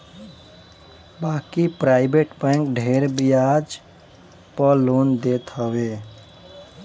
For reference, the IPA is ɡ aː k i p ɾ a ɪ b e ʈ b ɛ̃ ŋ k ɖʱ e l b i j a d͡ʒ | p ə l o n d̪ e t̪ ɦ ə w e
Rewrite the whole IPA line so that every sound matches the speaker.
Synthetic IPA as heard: b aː k i p ɾ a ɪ b e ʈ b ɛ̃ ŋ k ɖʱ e ɾ b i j a d͡ʒ | p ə l o n d̪ e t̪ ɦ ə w e